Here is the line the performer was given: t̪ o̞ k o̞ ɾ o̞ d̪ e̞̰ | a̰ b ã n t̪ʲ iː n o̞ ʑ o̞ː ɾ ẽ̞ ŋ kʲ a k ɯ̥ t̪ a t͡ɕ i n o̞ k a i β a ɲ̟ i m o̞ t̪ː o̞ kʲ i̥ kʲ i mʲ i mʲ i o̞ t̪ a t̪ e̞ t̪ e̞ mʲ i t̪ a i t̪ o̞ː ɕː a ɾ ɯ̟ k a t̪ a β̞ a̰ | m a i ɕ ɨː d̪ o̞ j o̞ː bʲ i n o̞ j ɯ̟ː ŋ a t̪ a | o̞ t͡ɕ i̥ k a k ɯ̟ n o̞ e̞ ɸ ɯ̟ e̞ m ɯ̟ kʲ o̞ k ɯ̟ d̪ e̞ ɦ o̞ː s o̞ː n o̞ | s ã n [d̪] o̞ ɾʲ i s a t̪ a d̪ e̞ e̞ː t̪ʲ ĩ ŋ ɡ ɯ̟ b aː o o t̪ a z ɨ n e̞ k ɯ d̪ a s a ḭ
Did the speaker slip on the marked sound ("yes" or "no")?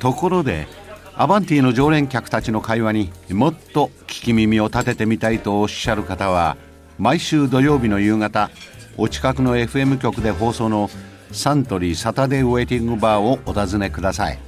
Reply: yes